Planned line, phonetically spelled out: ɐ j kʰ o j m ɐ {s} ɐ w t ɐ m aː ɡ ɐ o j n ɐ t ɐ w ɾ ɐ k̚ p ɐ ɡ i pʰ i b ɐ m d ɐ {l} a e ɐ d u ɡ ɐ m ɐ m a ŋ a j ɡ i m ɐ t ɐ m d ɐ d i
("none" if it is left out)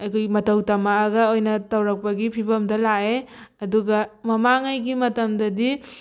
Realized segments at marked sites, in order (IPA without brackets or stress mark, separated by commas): t, l